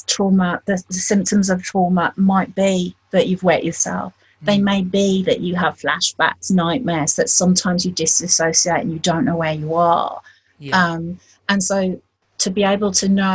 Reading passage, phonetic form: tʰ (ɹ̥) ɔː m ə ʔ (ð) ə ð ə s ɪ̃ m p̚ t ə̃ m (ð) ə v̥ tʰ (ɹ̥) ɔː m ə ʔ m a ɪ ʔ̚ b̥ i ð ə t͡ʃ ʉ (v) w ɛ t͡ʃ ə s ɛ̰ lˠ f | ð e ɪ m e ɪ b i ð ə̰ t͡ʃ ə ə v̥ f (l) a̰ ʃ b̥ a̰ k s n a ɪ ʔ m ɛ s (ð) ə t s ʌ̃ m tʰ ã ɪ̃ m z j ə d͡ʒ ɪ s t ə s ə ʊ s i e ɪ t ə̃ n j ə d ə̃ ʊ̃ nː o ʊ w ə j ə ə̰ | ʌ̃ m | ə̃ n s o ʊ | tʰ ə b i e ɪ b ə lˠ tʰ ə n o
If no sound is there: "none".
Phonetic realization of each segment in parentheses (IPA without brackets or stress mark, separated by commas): ɹ̥, ð, z, ɹ̥, v, l, ð